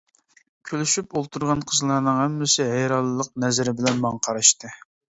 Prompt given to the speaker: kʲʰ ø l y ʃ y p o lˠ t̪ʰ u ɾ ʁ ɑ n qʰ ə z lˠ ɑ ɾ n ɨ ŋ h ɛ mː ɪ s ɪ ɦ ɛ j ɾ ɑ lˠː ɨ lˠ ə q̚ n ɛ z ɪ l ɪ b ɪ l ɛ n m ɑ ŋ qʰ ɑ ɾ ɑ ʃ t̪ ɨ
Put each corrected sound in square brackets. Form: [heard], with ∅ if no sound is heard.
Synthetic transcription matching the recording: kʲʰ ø l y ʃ y p o lˠ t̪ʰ u ɾ ʁ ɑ n qʰ ə z lˠ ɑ ɾ n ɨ ŋ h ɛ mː ɪ s ɪ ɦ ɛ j ɾ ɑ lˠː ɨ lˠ ə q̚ n ɛ z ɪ [ɾ] ɪ b ɪ l ɛ n m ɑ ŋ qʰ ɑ ɾ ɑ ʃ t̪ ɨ